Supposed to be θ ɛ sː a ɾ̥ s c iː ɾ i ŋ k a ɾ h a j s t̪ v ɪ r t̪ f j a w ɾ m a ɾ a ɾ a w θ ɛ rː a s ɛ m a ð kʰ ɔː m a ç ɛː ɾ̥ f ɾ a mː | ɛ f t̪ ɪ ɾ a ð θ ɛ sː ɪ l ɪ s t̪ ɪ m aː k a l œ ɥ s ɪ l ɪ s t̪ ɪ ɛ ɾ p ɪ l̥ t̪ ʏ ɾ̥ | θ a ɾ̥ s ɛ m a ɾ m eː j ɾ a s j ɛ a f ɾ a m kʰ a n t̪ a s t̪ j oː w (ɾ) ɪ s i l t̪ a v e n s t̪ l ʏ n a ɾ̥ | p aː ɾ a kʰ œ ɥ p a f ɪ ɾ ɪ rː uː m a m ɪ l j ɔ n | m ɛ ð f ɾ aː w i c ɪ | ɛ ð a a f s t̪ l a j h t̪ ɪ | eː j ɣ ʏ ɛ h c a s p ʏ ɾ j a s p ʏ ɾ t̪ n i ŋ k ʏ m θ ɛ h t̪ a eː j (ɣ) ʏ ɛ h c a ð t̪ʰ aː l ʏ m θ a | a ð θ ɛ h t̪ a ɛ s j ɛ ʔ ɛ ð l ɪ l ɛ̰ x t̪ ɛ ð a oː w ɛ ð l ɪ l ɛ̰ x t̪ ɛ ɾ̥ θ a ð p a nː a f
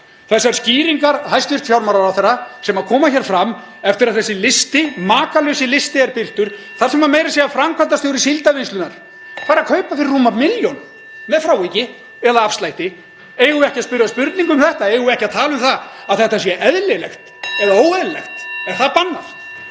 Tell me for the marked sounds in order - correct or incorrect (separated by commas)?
correct, correct